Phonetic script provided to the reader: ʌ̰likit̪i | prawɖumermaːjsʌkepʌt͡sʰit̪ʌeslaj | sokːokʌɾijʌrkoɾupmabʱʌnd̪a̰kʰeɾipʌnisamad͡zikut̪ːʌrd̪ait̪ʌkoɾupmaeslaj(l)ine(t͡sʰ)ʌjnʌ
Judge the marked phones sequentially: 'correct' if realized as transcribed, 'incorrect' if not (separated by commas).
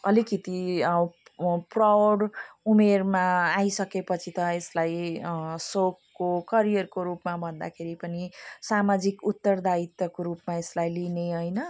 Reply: correct, incorrect